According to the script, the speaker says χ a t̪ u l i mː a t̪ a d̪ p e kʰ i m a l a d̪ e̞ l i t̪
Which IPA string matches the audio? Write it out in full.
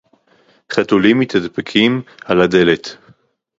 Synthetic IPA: χ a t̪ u l i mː i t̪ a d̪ p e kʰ i m a l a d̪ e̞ l e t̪

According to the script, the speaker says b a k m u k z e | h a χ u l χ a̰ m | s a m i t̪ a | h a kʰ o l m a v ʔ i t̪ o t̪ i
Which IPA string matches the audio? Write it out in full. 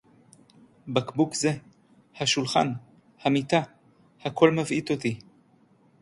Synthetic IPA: b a k b u k z e | h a ʃ u l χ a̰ n | h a m i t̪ a | h a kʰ o l m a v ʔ i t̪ o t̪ i

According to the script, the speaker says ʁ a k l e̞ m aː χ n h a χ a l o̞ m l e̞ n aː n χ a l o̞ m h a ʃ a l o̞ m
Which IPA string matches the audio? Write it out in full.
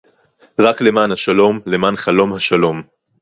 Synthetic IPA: ʁ a k l e̞ m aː n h a ʃ a l o̞ m l e̞ m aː n χ a l o̞ m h a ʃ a l o̞ m

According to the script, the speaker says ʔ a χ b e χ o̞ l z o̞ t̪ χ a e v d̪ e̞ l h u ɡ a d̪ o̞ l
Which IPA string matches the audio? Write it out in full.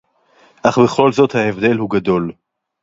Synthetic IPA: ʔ a χ b e χ o̞ l z o̞ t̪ h a e v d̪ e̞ l h u ɡ a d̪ o̞ l

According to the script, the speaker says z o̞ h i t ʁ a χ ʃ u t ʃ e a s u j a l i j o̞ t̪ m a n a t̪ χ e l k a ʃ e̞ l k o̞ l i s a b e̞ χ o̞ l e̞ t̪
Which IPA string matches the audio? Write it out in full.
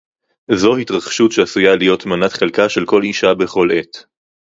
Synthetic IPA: z o̞ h i t ʁ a χ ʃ u t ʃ e a s u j a l i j o̞ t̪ m a n a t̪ χ e l k a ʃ e̞ l k o̞ l i ʃ a b e̞ χ o̞ l e̞ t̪

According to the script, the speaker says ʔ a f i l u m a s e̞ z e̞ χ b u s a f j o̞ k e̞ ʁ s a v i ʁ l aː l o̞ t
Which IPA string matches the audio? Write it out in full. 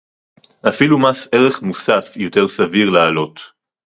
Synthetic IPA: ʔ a f i l u m a s e̞ ʁ e̞ χ m u s a f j o̞ t e̞ ʁ s a v i ʁ l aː l o̞ t

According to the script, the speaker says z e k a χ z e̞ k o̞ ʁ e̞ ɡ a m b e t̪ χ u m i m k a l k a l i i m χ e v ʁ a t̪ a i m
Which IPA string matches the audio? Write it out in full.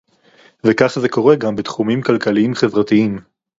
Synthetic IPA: v e k a χ z e̞ k o̞ ʁ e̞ ɡ a m b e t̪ χ u m i m k a l k a l i i m χ e v ʁ a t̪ i i m

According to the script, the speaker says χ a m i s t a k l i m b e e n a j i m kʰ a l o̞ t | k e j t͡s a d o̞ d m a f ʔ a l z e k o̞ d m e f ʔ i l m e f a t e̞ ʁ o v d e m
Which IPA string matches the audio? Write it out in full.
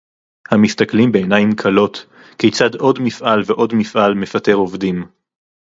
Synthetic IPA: h a m i s t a k l i m b e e n a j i m kʰ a l o̞ t | k e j t͡s a d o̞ d m i f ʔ a l v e ʔ o̞ d m i f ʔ a l m e f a t e̞ ʁ o v d i m

